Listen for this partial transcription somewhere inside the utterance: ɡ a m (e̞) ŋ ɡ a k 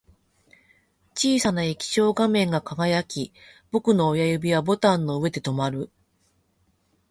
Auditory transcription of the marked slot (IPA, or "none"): ẽ̞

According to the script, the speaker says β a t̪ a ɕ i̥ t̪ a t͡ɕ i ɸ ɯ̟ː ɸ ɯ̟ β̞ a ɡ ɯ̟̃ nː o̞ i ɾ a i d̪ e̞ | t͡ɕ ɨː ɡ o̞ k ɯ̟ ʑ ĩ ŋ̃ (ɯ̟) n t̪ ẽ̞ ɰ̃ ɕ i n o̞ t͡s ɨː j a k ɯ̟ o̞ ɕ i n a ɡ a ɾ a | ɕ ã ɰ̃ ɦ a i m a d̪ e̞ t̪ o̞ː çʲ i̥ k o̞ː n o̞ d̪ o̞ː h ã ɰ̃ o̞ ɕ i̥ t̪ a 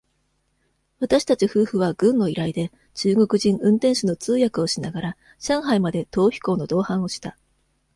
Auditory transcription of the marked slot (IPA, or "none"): ɯ̟̃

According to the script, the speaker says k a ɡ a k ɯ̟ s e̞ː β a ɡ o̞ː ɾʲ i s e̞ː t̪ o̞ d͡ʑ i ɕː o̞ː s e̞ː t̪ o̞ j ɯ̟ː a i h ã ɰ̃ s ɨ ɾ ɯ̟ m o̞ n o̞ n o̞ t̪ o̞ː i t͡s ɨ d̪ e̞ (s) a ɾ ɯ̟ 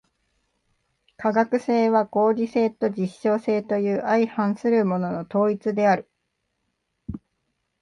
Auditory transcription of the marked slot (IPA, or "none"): none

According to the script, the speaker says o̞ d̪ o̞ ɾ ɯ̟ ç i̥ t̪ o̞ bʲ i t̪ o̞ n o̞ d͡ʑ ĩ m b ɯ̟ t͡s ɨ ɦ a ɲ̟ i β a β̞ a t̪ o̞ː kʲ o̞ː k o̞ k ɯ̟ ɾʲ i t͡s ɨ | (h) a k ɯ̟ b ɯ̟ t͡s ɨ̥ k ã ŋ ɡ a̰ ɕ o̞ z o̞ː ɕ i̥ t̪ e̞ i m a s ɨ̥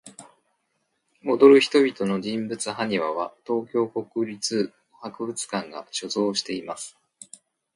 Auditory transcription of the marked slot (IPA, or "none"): h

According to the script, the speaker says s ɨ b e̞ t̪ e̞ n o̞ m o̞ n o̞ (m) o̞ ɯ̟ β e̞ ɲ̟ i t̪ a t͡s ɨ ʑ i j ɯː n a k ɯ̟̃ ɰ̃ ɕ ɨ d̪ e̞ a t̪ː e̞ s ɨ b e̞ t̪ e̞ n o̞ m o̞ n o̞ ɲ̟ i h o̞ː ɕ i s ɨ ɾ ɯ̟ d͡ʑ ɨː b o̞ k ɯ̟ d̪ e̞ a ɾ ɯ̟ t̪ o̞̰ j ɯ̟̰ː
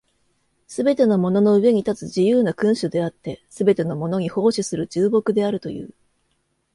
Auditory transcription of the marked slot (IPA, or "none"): n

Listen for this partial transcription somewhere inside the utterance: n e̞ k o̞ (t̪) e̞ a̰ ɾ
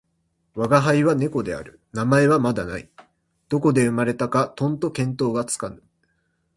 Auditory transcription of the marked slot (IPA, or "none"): d̪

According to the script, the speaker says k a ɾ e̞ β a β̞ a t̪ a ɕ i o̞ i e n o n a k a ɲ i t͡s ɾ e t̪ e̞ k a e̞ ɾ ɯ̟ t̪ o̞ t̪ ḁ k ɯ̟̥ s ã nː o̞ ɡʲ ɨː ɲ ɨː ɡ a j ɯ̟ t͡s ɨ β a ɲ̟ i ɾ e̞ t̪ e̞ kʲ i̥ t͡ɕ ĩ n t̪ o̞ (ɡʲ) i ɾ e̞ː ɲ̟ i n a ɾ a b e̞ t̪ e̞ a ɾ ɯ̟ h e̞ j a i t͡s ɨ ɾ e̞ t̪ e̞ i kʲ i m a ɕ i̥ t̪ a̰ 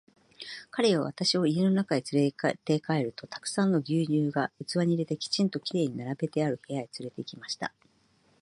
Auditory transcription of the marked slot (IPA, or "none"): kʲ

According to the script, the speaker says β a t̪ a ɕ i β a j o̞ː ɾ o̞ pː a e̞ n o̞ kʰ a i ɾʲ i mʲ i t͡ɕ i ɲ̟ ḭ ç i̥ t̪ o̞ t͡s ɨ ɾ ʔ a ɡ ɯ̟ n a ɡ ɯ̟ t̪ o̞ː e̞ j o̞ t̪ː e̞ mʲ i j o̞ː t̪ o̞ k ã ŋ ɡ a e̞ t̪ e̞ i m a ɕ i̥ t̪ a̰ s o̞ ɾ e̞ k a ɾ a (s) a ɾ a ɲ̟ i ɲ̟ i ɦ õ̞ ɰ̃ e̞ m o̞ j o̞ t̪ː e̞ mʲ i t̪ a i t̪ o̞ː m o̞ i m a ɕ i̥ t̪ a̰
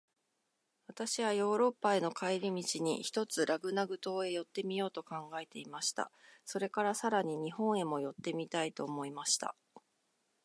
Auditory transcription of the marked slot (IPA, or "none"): s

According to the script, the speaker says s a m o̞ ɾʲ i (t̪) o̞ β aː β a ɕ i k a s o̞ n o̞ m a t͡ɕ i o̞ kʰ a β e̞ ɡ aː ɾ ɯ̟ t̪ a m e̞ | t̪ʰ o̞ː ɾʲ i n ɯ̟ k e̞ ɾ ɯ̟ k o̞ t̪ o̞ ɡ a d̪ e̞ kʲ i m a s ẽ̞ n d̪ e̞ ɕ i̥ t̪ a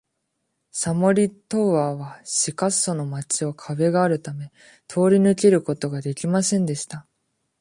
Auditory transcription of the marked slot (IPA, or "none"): t̪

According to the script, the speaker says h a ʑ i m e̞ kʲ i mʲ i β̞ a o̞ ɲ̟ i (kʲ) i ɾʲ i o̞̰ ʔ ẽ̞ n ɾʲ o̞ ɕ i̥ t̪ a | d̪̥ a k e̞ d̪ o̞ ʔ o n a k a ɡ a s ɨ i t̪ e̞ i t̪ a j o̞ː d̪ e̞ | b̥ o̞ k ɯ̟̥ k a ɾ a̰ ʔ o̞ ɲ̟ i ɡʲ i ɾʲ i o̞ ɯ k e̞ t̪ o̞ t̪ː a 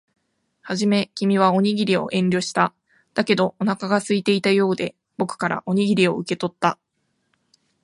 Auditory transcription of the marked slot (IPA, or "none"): ɡʲ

